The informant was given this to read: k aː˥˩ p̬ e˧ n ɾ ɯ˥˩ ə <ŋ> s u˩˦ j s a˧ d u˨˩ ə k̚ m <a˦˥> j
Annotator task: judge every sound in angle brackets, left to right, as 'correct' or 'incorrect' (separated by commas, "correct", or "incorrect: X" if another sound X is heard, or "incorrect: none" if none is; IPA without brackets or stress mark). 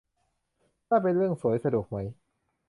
correct, correct